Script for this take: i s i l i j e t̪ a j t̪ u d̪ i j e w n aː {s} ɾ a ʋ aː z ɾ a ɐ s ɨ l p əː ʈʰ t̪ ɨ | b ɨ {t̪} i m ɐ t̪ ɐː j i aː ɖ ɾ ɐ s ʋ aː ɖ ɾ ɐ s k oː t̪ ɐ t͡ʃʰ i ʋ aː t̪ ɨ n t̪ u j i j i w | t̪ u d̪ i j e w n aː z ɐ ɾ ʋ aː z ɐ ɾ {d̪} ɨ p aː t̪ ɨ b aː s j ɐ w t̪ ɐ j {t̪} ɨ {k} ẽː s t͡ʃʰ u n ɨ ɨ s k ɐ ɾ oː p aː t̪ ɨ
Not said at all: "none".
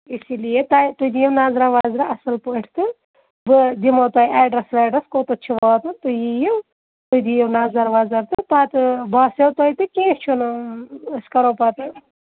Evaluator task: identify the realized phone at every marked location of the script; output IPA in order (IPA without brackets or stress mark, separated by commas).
z, d̪, t̪, t̪, k